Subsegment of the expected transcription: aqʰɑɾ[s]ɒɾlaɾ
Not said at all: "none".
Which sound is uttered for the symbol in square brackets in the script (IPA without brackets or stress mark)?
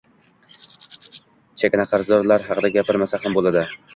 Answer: z